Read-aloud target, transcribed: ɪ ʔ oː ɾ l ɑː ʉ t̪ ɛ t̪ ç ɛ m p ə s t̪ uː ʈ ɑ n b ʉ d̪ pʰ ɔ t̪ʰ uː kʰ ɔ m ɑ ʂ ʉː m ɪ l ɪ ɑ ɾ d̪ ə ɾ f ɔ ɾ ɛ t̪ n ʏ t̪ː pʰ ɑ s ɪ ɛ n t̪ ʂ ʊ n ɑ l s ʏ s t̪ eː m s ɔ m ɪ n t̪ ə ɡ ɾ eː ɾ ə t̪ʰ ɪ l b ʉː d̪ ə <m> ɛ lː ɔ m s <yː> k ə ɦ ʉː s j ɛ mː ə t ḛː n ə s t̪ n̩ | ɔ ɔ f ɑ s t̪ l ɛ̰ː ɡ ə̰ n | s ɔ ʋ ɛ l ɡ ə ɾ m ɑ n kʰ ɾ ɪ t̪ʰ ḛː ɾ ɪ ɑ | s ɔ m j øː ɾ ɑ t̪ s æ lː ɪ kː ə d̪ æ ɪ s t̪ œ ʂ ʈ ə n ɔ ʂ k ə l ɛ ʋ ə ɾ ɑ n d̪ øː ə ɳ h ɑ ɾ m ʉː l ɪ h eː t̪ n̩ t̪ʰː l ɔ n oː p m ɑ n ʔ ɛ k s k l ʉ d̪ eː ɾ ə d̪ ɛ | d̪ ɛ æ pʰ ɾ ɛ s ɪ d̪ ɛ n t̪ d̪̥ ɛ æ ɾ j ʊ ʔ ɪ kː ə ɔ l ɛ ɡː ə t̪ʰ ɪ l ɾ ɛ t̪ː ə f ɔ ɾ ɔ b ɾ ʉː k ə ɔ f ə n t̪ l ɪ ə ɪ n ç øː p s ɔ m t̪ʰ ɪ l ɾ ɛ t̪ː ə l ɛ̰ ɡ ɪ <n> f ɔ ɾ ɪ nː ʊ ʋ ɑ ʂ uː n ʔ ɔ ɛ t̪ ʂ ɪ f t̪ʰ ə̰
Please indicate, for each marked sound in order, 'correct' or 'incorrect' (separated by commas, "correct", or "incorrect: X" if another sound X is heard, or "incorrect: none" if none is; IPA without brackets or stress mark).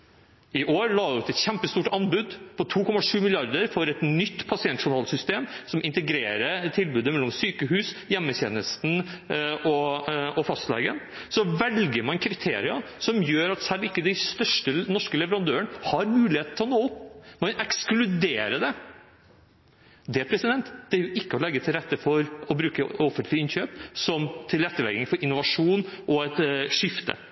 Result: correct, correct, incorrect: ŋ